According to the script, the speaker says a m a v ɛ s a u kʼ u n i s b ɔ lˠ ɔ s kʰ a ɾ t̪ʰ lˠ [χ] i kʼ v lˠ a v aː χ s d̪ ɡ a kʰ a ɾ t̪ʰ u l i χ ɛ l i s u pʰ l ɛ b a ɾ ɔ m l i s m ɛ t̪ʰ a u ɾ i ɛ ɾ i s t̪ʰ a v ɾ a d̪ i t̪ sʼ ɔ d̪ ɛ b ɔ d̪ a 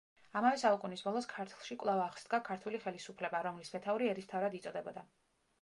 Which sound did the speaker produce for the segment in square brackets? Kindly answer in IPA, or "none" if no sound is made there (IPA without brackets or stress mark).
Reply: ʃ